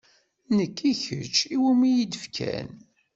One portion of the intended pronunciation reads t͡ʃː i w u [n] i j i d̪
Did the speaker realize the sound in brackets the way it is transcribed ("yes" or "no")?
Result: no